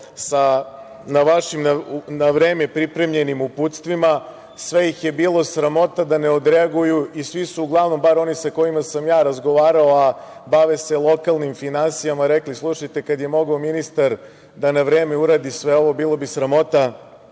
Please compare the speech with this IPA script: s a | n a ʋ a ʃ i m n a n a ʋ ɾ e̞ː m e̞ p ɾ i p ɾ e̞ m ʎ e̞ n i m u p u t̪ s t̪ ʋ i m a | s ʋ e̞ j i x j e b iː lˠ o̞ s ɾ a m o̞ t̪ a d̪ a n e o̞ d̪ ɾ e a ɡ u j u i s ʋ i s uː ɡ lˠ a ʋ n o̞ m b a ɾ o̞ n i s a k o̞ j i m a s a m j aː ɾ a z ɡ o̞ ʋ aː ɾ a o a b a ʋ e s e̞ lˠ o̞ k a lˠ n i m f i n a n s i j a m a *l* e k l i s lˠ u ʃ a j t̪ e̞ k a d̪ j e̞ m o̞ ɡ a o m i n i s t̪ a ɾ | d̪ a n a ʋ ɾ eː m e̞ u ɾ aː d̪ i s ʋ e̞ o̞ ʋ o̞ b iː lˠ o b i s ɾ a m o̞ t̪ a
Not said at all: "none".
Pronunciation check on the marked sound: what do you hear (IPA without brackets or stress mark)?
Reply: ɾ